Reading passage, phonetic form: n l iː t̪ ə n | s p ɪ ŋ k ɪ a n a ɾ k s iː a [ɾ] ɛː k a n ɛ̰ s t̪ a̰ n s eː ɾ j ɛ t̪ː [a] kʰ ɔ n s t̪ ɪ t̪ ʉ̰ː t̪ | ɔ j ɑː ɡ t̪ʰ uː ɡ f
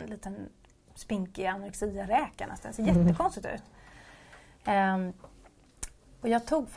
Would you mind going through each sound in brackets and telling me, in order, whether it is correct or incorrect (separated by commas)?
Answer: correct, incorrect